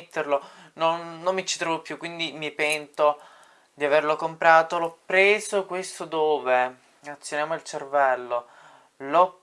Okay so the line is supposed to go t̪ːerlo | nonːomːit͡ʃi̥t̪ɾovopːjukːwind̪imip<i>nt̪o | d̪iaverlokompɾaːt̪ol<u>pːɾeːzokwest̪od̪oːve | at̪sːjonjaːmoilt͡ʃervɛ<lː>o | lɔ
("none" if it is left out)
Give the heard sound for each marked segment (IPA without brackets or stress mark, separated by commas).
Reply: ɛ, ɔ, lː